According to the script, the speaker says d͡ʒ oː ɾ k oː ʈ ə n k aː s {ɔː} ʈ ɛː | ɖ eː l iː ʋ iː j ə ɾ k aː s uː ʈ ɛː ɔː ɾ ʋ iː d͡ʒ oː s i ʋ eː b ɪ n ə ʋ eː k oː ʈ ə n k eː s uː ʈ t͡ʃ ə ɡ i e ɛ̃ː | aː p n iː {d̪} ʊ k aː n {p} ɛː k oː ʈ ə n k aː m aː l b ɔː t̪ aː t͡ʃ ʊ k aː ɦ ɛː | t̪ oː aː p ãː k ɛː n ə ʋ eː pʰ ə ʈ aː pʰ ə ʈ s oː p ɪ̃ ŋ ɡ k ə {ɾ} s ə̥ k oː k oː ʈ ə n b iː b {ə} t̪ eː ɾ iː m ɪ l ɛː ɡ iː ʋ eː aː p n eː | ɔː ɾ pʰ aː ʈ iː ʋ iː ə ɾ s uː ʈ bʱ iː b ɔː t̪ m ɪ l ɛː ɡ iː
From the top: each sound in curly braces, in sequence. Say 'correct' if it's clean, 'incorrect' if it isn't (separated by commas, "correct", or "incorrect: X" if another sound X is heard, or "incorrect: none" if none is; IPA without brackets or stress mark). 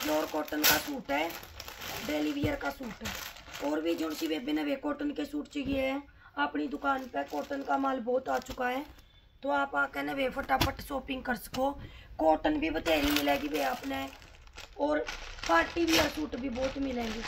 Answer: incorrect: uː, correct, correct, correct, correct